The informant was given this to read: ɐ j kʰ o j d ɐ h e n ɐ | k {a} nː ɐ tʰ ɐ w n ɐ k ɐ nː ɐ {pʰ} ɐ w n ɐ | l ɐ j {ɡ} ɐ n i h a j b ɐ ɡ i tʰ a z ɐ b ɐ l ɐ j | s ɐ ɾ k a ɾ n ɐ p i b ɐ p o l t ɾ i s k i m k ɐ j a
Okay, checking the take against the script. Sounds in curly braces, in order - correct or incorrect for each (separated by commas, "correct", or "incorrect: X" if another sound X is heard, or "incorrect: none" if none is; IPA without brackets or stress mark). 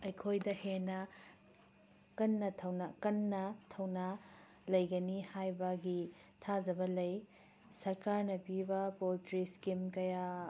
incorrect: ɐ, incorrect: tʰ, correct